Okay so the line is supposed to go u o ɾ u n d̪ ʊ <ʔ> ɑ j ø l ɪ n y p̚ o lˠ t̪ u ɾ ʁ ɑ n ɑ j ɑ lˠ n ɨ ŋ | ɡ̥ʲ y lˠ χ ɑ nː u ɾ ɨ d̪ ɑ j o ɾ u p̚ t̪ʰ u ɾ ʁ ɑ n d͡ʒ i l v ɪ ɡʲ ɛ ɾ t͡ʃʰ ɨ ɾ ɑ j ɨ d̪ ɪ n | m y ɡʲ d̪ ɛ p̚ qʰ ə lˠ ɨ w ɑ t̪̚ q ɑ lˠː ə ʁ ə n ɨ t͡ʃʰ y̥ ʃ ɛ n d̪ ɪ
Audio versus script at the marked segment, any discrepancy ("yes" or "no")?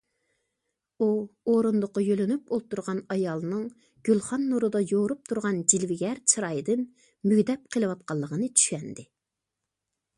yes